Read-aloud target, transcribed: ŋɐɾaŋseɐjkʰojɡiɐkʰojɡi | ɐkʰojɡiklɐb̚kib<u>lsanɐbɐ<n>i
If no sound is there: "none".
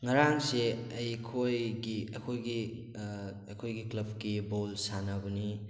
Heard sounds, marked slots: o, n

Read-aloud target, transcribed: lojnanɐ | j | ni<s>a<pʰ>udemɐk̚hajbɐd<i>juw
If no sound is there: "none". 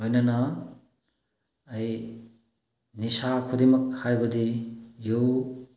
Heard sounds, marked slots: s, kʰ, i

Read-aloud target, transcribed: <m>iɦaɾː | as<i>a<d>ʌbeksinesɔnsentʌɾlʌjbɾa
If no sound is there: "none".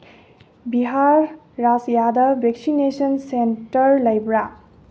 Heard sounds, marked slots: b, j, d

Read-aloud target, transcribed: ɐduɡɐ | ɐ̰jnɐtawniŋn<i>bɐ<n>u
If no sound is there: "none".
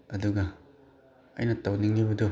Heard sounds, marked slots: i, d

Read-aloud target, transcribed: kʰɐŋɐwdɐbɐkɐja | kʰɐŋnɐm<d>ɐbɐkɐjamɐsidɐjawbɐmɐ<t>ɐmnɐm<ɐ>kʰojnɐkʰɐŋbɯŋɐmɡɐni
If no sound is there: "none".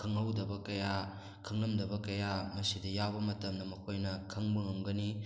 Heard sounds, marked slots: d, t, ɐ

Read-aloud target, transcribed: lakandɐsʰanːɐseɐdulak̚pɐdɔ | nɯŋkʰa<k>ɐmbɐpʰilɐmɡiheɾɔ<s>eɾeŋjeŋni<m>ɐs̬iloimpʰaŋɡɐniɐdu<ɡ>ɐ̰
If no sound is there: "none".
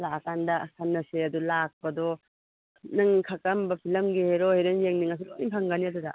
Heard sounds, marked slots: k, h, ŋ, d

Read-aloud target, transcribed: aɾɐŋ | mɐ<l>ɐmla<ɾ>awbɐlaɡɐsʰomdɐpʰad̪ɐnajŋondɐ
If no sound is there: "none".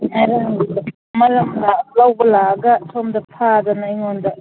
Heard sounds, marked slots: l, l

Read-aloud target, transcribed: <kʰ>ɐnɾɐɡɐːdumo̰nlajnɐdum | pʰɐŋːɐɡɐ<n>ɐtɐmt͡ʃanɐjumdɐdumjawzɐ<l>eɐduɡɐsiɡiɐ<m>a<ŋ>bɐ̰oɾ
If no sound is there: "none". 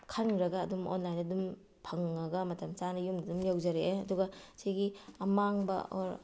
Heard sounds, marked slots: kʰ, m, ɾ, m, ŋ

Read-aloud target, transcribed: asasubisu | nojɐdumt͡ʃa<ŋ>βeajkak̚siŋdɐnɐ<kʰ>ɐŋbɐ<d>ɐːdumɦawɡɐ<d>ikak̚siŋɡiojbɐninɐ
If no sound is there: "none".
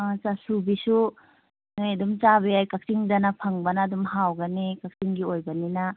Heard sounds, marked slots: none, pʰ, n, n

